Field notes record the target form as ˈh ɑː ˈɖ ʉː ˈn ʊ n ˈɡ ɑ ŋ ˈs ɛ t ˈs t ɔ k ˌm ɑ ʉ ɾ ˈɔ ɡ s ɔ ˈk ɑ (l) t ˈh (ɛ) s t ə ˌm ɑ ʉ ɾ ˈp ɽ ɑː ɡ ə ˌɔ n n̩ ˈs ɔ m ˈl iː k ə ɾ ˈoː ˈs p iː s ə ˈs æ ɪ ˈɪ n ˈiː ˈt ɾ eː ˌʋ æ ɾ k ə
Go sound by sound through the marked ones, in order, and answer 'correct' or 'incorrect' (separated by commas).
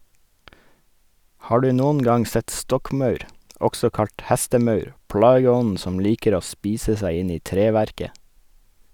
incorrect, incorrect